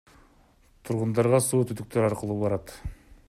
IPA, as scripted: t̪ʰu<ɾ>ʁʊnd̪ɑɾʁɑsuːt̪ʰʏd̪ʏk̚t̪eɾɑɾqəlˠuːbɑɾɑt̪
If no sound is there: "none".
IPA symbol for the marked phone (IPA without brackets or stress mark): ɾ